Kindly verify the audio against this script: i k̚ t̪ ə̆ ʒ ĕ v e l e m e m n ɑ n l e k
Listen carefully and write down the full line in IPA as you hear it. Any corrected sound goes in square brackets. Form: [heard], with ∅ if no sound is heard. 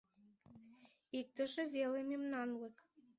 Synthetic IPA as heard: i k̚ t̪ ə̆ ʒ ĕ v e l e m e m n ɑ n l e k